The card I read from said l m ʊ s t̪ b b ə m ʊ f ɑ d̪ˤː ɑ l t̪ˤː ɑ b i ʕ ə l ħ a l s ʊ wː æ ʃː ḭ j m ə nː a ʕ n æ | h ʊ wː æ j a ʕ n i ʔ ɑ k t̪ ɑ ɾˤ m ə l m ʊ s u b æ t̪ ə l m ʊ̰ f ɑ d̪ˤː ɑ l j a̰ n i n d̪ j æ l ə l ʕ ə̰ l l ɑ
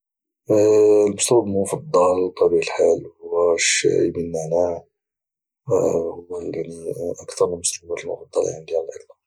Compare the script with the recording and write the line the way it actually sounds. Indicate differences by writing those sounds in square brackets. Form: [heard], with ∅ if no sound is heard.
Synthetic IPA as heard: l m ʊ s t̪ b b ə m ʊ f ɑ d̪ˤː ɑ l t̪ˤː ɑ b i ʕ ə l ħ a l [h] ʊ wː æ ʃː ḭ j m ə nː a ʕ n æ | h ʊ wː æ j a ʕ n i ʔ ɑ k t̪ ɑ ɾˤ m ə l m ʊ s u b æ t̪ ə l m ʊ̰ f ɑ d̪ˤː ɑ l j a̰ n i [∅] d̪ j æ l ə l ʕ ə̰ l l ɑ